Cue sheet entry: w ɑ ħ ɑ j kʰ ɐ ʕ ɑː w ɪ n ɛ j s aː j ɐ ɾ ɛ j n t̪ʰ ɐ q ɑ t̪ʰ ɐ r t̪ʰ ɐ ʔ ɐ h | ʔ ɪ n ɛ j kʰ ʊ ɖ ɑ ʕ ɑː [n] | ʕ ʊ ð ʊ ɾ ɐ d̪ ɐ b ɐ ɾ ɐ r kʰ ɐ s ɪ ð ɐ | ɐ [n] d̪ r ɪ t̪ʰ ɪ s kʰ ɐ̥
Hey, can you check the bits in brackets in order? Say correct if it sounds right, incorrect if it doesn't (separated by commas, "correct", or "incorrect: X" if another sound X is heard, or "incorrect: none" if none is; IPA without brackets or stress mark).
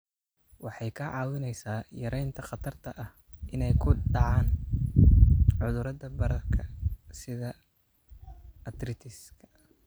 correct, incorrect: none